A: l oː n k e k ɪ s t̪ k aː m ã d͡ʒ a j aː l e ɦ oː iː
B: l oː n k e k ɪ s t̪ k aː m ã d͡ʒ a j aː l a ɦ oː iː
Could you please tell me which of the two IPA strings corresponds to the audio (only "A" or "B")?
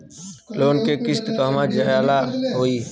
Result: B